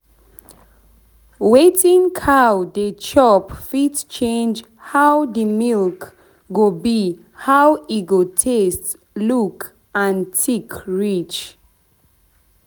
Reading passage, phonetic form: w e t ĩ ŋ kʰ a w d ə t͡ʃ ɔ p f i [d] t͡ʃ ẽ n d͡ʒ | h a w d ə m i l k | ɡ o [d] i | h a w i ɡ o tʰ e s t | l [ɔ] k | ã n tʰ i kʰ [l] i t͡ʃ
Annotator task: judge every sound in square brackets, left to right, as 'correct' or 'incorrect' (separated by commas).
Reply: incorrect, incorrect, incorrect, incorrect